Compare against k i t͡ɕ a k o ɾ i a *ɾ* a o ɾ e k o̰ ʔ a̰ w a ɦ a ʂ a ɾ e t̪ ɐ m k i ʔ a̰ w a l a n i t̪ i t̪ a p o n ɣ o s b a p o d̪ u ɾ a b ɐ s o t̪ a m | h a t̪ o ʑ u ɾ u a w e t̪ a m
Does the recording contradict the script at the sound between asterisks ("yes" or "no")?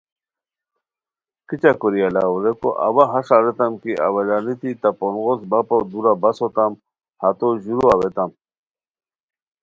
yes